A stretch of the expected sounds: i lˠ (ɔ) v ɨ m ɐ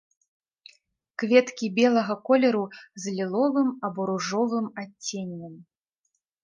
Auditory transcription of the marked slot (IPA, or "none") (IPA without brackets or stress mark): ɔ